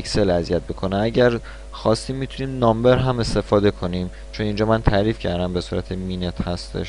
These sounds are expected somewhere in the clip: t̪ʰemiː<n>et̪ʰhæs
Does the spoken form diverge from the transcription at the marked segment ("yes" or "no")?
no